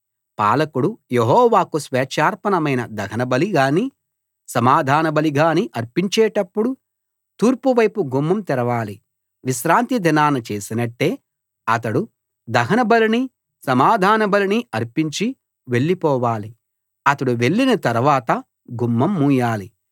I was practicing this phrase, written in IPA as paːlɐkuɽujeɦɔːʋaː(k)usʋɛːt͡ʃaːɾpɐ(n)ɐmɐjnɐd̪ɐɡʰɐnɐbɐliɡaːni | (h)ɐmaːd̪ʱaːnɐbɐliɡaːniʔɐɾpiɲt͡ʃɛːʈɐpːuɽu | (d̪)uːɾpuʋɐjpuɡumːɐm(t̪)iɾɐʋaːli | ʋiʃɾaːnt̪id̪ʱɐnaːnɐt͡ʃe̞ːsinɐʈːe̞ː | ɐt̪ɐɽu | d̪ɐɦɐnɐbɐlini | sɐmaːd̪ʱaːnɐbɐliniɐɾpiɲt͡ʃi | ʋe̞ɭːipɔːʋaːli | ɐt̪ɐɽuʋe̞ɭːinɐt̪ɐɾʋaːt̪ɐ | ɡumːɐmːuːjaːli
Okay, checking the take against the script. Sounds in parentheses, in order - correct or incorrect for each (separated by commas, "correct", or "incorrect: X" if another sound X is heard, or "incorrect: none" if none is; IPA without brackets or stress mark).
correct, correct, incorrect: s, incorrect: t̪, correct